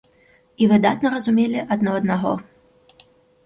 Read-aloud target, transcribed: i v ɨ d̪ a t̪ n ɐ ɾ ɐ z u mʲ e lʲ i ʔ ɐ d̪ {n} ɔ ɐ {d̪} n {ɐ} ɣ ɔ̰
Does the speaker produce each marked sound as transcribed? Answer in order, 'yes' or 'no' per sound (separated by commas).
yes, yes, no